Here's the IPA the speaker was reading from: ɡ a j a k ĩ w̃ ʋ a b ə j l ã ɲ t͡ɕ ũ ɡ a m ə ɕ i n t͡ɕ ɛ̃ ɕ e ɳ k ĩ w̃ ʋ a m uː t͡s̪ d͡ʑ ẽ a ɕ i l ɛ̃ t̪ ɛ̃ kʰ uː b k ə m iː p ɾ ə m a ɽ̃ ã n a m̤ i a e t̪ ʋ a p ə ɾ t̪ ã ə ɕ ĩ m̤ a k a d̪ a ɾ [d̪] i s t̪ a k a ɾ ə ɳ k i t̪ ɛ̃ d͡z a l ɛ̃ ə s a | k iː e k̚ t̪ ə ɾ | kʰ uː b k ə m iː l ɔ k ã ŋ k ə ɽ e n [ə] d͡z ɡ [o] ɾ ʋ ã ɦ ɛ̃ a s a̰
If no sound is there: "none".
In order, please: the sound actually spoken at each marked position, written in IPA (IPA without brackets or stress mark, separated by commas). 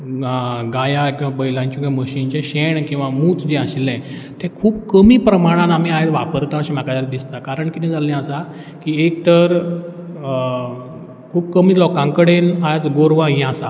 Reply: d̪, a, o